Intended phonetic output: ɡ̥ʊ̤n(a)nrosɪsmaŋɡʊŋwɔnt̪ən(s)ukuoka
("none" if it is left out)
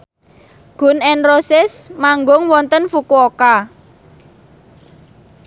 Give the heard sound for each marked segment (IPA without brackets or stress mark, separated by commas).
ɛ, f